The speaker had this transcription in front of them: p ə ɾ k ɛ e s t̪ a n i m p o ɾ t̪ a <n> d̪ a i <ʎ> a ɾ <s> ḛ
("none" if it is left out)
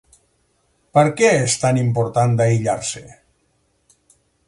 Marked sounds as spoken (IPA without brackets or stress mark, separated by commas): n, ʎ, s